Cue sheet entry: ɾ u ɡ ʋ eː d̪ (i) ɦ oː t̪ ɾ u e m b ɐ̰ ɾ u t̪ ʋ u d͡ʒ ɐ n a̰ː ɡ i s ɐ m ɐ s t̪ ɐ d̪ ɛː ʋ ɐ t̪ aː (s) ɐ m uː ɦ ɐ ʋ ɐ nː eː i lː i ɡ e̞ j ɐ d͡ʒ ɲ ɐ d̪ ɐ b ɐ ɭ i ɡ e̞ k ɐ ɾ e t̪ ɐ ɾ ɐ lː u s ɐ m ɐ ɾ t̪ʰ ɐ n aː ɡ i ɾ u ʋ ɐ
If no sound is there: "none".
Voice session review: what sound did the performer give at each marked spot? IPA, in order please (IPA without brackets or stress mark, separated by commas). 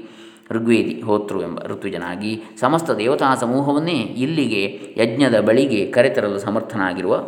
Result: i, s